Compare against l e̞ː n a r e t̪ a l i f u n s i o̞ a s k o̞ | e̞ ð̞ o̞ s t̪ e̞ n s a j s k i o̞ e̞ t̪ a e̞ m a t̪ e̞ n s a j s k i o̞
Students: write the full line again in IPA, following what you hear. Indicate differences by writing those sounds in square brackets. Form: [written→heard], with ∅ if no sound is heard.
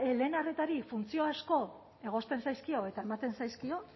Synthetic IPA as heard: l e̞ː n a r e t̪ a [l→ɾ] i f u n [s→t͡s] i o̞ a s k o̞ | e̞ [ð̞→ɣ̞] o̞ s t̪ e̞ n s a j s k i o̞ e̞ t̪ a e̞ m a t̪ e̞ n s a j s k i o̞